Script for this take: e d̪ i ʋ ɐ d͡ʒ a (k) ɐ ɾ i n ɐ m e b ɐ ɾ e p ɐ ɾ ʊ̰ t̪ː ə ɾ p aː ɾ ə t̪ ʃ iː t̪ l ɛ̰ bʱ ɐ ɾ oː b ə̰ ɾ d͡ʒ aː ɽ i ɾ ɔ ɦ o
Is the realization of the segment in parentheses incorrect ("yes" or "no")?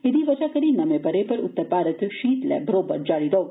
no